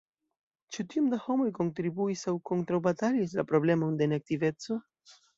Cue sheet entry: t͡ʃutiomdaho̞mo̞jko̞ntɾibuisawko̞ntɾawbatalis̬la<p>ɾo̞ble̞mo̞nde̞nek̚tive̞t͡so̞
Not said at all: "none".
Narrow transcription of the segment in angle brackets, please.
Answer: p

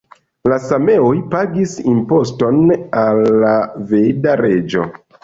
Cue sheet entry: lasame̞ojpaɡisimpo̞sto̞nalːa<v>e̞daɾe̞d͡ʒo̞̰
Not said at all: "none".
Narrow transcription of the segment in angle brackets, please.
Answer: v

